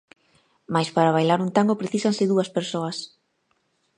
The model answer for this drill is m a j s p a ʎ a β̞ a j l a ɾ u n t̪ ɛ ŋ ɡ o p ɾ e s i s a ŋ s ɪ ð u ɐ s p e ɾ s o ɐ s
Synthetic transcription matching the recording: m a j s p a ɾ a β̞ a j l a ɾ u n t̪ a ŋ ɡ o p ɾ e θ i s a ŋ s ɪ ð u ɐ s p e ɾ s o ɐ s